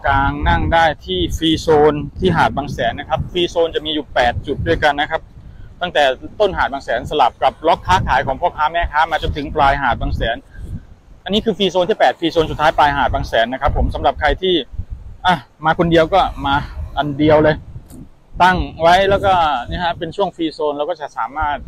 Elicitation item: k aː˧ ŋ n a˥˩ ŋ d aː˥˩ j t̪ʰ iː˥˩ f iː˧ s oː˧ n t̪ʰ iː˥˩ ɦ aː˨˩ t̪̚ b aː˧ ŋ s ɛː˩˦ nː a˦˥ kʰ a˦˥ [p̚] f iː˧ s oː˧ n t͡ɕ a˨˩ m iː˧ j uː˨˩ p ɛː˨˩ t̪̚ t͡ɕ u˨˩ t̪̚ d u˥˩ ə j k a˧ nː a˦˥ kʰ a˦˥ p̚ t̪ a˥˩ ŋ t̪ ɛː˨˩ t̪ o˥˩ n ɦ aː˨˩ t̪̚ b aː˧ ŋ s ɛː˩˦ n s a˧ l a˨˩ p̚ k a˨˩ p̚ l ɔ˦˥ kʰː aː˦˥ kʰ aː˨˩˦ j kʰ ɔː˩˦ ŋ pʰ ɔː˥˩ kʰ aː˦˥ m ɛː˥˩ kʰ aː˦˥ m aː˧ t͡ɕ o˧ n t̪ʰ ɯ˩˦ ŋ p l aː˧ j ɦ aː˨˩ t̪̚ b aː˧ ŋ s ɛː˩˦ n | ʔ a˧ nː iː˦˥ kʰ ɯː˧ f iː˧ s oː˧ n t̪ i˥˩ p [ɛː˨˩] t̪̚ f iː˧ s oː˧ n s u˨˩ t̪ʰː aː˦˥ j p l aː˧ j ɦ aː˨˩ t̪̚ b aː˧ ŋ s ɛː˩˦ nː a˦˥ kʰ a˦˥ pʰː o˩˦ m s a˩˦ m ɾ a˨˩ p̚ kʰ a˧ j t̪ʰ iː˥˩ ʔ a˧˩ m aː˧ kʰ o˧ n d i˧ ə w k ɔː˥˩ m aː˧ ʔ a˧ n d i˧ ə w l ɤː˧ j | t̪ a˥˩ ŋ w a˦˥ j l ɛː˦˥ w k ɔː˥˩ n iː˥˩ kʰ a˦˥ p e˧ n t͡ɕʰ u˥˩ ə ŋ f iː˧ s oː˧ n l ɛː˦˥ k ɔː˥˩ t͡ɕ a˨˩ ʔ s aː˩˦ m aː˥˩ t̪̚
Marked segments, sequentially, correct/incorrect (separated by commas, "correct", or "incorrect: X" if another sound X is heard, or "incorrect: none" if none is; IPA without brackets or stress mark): correct, correct